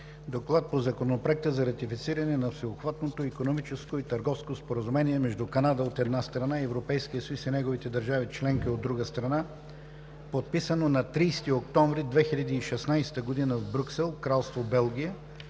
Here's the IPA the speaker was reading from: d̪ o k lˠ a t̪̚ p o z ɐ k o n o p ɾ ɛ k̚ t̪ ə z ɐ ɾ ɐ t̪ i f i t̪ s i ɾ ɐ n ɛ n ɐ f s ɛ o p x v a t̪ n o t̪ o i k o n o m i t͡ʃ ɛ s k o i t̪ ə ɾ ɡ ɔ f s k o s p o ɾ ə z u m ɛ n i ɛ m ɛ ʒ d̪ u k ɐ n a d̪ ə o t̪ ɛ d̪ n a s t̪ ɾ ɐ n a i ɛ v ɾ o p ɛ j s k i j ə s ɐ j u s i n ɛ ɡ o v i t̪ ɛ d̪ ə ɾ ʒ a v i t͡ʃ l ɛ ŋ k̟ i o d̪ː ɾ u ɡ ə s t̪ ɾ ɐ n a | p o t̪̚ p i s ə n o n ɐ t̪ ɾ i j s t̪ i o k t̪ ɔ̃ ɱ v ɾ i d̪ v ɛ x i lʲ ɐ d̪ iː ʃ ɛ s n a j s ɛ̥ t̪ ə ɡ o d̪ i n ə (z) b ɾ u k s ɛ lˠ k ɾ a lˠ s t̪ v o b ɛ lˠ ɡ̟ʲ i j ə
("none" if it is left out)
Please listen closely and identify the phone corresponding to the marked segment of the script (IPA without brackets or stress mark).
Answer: v